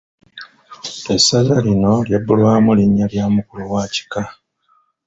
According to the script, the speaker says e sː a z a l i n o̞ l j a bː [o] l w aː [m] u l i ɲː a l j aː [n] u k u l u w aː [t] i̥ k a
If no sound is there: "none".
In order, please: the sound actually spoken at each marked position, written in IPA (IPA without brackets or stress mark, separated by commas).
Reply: u, m, m, c